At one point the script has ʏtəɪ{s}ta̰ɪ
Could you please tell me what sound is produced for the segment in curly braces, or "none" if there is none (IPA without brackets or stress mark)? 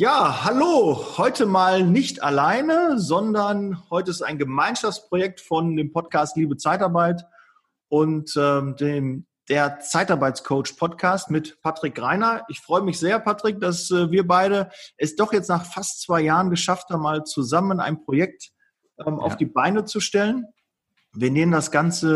s